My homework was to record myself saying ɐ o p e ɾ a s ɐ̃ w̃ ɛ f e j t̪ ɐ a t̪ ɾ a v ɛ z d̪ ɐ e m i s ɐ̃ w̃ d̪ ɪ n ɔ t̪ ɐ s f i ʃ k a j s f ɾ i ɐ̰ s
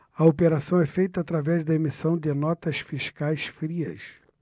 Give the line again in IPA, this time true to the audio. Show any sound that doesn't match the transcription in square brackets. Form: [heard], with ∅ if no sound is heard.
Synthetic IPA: ɐ o p e ɾ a s ɐ̃ w̃ ɛ f e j t̪ ɐ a t̪ ɾ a v ɛ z d̪ ɐ e m i s ɐ̃ w̃ d̪ ɪ n ɔ t̪ ɐ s f i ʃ k a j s f ɾ i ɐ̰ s